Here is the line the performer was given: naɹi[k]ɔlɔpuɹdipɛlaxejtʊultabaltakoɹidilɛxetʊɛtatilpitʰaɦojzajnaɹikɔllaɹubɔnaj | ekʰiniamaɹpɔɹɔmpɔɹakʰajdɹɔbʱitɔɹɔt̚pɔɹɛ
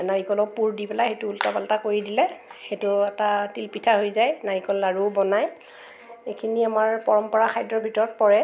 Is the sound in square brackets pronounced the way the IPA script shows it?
yes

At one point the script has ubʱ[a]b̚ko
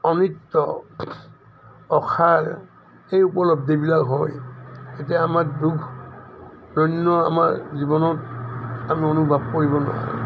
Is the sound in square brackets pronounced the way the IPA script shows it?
yes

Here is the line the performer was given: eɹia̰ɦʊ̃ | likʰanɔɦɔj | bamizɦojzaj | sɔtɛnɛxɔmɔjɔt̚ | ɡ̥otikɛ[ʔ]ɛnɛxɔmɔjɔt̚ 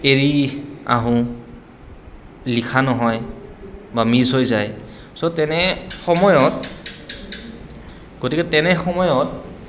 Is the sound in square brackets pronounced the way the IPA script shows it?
no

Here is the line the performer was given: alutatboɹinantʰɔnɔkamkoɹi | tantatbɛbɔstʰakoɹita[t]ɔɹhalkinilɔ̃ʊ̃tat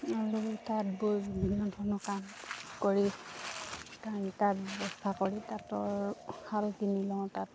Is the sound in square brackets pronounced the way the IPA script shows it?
yes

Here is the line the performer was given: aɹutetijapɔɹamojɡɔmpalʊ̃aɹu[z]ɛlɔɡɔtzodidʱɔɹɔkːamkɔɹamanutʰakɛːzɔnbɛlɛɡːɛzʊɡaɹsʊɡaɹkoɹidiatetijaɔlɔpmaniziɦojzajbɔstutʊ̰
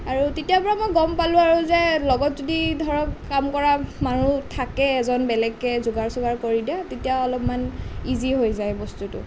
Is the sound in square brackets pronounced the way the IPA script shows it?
yes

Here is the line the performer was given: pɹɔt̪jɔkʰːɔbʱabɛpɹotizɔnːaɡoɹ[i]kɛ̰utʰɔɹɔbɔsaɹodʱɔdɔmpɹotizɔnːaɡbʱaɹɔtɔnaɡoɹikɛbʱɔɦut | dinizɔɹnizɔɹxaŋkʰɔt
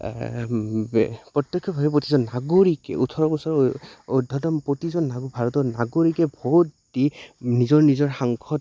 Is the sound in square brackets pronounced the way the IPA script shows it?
yes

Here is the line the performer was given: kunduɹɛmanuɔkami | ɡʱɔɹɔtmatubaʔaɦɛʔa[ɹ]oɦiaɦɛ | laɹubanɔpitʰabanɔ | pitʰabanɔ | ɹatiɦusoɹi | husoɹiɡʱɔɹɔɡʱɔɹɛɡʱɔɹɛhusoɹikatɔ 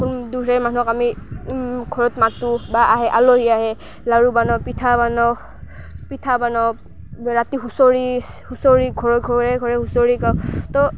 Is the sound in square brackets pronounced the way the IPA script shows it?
no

